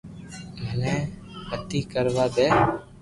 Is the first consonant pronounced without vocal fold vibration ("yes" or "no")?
no